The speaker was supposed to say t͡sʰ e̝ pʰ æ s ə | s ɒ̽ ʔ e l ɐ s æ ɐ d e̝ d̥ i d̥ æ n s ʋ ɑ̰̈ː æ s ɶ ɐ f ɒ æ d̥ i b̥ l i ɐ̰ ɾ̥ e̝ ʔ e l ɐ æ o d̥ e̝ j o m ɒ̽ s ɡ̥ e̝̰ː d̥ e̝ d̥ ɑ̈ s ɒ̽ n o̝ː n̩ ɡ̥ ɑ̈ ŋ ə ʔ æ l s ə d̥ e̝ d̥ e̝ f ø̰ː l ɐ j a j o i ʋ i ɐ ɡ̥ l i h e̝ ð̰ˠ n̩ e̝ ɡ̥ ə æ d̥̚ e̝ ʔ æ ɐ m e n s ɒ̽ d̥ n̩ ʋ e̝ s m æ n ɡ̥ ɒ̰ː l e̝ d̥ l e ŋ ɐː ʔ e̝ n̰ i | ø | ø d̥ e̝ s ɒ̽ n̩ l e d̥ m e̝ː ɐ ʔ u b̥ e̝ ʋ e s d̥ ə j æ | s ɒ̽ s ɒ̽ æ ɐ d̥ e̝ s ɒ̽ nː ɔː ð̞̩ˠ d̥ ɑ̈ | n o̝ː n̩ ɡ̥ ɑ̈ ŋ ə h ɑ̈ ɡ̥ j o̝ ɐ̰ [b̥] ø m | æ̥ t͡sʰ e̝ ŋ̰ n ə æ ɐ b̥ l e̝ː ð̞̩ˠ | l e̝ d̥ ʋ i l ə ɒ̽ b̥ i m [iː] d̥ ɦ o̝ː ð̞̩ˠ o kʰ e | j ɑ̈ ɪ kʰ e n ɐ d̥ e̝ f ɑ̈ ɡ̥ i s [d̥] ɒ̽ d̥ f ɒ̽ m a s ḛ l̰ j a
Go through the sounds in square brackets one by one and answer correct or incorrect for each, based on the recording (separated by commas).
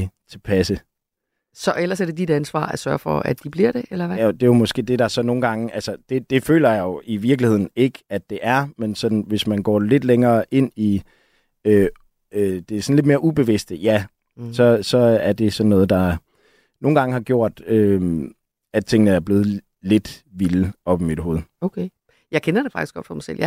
incorrect, incorrect, incorrect